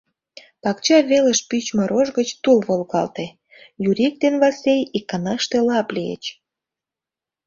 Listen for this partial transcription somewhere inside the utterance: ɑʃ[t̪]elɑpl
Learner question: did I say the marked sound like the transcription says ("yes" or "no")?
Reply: yes